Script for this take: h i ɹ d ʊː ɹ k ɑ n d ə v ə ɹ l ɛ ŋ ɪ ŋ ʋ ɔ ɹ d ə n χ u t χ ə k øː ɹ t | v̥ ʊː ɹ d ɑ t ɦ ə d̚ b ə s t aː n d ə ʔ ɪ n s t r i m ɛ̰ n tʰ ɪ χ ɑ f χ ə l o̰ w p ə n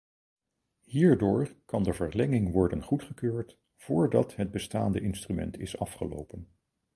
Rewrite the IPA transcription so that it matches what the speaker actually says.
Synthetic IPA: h iː ɹ d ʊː ɹ k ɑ n d ə v ə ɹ l ɛ ŋ ɪ ŋ ʋ ɔ ɹ d ə n χ u t χ ə k øː ɹ t | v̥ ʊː ɹ d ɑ t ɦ ə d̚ b ə s t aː n d ə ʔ ɪ n s t r y m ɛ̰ n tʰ ɪ s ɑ f χ ə l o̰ w p ə n